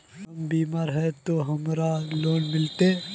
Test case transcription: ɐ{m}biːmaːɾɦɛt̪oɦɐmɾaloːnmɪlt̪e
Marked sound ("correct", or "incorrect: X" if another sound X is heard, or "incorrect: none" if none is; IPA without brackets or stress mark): correct